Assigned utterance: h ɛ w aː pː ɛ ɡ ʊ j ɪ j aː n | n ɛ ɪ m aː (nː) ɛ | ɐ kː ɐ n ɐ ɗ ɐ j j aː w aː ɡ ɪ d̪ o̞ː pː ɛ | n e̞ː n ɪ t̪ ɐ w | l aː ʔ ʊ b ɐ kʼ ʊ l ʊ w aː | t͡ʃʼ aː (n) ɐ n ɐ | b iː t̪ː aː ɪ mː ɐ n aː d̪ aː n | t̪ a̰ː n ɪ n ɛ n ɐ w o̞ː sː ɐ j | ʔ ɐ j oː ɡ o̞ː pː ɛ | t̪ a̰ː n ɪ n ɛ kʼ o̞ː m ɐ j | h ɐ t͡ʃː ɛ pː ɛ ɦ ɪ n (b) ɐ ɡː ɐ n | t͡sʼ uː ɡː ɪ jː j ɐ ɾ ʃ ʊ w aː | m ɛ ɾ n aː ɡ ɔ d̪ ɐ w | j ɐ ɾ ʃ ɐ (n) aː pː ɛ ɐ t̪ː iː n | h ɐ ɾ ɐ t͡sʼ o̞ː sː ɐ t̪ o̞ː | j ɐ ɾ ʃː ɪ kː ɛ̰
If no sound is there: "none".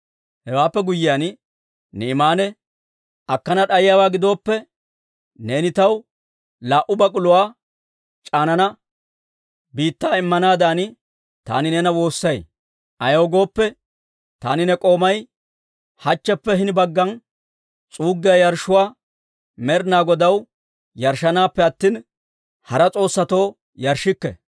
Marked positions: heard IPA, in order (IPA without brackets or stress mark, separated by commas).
n, n, b, n